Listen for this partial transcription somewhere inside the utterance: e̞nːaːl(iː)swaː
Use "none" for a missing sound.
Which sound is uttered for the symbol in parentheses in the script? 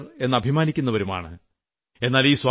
iː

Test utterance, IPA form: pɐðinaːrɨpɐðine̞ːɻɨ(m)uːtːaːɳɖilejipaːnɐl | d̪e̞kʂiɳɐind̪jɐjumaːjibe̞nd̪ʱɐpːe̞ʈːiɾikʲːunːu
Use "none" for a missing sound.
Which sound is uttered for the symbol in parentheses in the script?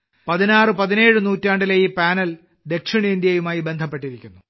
n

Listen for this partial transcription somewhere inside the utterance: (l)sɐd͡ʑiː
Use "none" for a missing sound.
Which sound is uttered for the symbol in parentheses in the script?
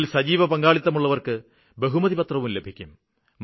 l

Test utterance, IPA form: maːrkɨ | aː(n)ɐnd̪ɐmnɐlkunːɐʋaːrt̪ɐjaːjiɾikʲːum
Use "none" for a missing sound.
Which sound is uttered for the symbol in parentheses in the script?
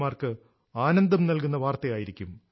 n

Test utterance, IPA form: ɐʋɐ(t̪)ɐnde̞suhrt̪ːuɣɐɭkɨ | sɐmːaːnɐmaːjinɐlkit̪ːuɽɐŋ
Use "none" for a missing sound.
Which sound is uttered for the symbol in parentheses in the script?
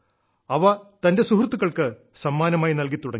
t̪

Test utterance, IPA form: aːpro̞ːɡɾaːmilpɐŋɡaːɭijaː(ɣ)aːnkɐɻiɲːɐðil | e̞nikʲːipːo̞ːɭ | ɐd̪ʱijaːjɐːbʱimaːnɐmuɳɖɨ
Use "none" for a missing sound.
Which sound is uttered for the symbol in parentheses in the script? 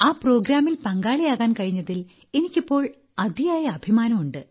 ɣ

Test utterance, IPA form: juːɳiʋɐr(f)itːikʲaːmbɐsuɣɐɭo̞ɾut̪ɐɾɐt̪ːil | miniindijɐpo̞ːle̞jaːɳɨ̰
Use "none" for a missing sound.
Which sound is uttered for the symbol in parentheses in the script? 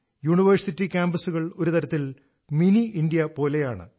s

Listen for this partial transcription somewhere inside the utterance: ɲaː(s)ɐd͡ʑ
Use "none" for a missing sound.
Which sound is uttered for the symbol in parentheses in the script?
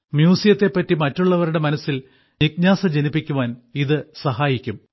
s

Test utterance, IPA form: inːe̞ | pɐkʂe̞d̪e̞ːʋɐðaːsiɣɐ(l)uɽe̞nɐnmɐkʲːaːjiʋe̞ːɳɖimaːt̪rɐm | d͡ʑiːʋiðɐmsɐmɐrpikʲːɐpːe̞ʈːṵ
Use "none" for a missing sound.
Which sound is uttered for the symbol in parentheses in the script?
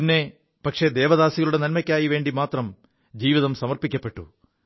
ɭ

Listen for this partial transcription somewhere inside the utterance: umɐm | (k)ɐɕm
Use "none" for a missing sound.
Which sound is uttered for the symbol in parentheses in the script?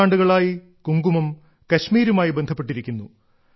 k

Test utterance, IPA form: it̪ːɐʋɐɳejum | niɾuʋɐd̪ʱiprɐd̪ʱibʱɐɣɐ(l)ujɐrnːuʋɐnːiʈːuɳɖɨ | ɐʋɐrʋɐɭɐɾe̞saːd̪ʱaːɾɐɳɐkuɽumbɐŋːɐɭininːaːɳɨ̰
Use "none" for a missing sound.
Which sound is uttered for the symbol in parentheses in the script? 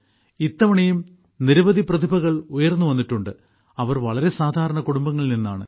ɭ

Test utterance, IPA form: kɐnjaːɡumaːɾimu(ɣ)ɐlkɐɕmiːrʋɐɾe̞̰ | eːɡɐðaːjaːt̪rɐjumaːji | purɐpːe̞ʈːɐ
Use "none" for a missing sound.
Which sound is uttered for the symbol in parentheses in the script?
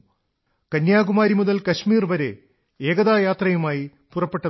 ð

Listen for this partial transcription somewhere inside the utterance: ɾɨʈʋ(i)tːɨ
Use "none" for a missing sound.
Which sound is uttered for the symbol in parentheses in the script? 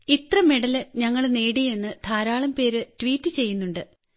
iː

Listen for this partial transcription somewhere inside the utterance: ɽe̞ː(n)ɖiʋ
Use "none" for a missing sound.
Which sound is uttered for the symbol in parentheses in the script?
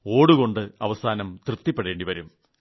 ɳ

